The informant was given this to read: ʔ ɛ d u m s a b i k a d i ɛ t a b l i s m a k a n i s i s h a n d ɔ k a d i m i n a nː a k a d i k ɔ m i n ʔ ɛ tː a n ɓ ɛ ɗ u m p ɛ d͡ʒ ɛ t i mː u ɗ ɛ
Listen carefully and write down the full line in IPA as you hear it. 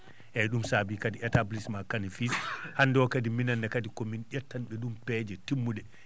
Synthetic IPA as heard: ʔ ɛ ɗ u m s a b i k a d i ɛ t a b l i s m a k a n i f i s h a n d ɔ k a d i m i n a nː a k a d i k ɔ m i n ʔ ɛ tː a n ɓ ɛ ɗ u m p ɛ d͡ʒ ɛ t i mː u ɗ ɛ